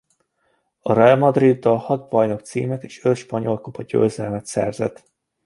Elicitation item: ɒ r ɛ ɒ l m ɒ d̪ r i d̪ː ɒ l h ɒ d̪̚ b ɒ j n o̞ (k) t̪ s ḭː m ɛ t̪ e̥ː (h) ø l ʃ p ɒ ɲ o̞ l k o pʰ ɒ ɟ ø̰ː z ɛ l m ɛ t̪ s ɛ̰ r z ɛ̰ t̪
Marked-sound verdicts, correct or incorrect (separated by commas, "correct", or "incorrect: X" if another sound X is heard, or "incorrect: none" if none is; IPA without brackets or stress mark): correct, incorrect: ʃ